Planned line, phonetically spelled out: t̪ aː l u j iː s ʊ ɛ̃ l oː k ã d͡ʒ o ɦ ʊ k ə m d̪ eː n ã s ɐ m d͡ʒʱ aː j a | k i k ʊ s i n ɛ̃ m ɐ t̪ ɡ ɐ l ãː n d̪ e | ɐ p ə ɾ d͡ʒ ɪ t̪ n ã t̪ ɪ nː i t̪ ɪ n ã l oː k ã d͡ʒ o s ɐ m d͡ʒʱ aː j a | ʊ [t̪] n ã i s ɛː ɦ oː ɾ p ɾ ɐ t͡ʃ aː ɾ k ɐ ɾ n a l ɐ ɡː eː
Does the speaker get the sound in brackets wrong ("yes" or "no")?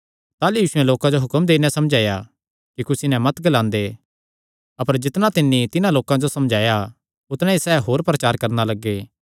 no